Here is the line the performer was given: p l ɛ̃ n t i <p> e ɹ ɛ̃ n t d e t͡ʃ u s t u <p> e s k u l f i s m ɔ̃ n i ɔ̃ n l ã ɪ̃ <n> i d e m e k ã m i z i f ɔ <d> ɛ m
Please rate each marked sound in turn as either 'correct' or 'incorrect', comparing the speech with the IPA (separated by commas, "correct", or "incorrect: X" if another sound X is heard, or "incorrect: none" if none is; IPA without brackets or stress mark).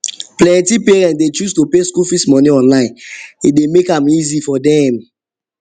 correct, correct, correct, correct